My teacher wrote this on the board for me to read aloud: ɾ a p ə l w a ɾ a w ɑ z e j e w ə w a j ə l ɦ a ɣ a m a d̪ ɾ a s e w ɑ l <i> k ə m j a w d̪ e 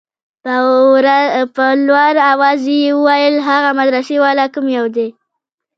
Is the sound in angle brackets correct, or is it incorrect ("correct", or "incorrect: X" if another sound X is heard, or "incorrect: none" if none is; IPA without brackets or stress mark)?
incorrect: a